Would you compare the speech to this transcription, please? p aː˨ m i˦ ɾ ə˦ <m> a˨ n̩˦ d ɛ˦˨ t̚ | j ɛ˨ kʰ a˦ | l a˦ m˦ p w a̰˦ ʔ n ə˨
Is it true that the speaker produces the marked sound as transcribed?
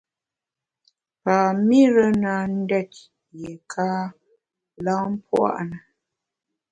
no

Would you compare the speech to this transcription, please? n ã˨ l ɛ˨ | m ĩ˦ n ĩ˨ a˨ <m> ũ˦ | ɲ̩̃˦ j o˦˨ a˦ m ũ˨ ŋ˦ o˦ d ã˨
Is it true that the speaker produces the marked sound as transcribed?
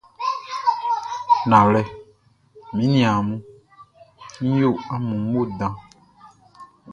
yes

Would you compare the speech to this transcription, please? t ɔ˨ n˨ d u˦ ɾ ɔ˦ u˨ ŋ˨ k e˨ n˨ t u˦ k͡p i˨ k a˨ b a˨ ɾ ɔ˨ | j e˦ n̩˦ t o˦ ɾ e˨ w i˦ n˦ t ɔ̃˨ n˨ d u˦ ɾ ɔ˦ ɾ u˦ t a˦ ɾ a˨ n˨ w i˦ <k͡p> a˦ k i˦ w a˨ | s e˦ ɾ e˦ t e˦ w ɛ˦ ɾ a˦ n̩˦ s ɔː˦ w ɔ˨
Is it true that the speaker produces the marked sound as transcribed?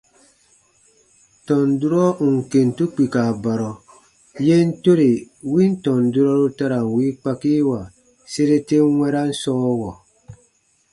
yes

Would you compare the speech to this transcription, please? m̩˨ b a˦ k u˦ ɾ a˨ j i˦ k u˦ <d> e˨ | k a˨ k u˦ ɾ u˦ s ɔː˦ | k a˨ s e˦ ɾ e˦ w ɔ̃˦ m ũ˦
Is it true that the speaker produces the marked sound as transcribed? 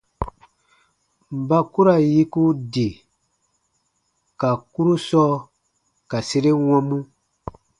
yes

